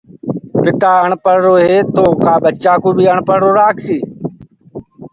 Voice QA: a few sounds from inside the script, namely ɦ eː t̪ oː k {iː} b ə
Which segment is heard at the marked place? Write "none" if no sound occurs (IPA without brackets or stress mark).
aː